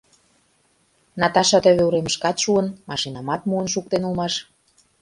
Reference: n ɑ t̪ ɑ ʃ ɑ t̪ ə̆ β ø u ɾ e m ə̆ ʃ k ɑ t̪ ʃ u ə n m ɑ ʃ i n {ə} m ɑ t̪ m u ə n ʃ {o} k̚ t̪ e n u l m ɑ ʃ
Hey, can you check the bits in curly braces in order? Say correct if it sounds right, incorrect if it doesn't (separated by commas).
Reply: incorrect, incorrect